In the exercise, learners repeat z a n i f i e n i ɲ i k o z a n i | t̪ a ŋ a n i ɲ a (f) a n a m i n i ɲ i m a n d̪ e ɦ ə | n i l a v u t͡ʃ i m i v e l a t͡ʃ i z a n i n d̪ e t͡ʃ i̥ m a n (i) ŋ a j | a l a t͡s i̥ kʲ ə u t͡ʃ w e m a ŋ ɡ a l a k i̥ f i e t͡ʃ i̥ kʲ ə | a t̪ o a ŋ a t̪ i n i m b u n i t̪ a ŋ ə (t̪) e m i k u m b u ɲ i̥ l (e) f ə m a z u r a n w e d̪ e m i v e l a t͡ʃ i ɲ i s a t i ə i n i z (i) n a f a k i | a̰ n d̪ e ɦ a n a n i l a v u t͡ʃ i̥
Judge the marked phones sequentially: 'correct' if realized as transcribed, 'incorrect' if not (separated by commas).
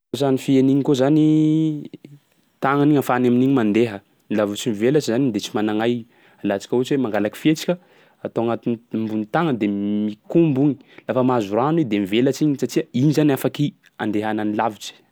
correct, incorrect, incorrect, incorrect, incorrect